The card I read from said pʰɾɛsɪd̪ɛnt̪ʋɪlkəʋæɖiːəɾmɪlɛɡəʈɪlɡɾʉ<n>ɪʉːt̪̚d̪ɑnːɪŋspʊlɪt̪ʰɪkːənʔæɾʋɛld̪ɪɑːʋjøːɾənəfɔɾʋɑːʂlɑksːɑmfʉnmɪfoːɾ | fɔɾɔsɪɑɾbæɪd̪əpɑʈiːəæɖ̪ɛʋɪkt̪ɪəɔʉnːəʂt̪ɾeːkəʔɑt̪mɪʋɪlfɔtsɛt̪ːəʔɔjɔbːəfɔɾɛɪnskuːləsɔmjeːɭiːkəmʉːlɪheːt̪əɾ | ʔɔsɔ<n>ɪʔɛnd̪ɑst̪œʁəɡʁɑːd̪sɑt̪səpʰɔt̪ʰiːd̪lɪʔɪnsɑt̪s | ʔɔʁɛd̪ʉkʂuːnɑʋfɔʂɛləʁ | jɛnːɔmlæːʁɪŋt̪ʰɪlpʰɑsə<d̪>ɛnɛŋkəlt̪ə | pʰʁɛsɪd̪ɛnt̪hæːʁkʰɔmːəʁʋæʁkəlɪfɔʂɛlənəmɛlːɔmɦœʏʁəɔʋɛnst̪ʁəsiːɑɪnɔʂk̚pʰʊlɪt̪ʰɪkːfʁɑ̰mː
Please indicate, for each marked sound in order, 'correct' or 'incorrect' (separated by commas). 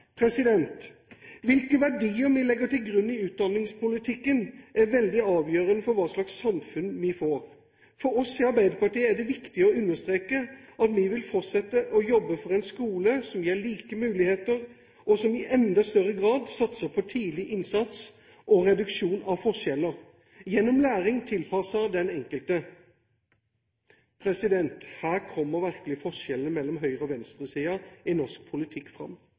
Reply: incorrect, incorrect, correct